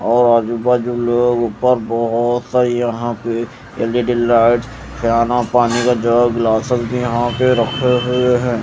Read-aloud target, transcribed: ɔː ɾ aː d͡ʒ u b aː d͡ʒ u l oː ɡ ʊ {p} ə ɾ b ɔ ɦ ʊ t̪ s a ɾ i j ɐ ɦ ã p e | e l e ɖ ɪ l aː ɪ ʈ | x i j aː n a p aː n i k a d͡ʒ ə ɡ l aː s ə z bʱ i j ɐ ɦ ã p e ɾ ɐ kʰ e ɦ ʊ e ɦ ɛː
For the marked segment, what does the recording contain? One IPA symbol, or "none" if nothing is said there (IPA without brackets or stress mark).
p